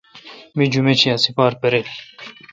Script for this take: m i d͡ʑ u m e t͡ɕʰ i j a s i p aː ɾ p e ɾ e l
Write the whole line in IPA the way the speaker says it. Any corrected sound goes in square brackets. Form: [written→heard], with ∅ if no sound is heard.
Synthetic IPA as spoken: m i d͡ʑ u m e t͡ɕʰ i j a s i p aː ɾ p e ɾ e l

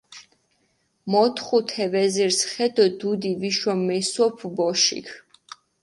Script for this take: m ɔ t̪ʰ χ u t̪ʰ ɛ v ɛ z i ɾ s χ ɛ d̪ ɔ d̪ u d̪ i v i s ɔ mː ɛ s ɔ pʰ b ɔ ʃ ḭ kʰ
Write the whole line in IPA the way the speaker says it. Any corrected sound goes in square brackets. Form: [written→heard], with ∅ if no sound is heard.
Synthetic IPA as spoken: m ɔ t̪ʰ χ u t̪ʰ ɛ v ɛ z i ɾ s χ ɛ d̪ ɔ d̪ u d̪ i v i [s→ʃ] ɔ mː ɛ s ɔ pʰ b ɔ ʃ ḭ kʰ

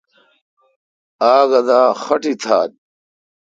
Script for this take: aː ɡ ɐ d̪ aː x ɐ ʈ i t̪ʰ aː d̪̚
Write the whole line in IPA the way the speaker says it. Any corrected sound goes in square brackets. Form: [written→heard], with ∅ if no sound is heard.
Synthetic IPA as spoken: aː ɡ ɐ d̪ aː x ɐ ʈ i t̪ʰ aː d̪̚

